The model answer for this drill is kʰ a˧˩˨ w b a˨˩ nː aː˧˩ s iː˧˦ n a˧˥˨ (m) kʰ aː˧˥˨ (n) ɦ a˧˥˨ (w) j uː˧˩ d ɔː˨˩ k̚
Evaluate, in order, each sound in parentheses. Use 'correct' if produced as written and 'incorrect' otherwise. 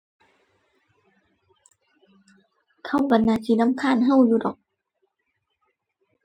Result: correct, correct, correct

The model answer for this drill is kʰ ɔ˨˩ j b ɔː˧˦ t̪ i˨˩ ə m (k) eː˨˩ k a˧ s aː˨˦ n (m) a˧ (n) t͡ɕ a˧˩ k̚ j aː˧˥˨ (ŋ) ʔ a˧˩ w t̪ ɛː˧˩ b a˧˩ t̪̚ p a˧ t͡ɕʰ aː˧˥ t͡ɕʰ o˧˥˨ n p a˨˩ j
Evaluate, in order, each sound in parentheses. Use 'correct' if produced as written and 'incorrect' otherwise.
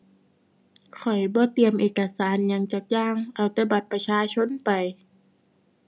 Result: incorrect, incorrect, incorrect, correct

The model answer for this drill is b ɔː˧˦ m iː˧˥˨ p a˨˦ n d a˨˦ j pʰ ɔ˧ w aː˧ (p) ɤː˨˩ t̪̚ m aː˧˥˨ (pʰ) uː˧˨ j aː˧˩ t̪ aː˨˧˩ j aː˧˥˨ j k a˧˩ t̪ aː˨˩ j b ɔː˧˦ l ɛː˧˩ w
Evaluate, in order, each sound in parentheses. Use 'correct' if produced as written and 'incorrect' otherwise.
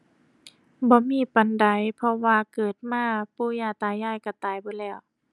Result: incorrect, incorrect

